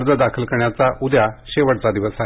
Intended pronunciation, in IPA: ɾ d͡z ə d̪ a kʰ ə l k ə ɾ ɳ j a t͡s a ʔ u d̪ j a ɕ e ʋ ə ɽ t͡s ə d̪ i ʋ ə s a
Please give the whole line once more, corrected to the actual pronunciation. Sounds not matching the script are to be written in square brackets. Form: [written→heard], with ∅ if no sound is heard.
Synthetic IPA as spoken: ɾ d͡z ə d̪ a kʰ ə l k ə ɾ ɳ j a t͡s a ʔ u d̪ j a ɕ e ʋ ə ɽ t͡s [ə→a] d̪ i ʋ ə s a